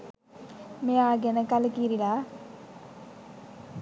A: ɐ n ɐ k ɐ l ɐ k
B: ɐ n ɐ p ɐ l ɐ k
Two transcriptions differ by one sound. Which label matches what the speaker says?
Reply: A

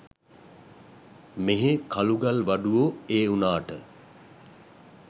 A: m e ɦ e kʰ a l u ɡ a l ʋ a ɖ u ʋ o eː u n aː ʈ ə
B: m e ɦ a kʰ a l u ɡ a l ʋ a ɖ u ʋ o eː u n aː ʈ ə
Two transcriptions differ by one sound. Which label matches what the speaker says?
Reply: A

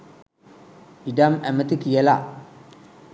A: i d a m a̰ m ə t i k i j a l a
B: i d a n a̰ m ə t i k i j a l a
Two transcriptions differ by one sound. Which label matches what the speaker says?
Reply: A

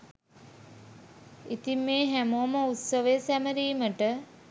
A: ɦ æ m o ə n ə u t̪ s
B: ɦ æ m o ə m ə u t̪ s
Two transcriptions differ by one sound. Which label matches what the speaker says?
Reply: B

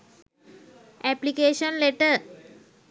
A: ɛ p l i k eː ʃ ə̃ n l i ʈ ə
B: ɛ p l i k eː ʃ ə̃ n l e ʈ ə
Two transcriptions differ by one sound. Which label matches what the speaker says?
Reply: B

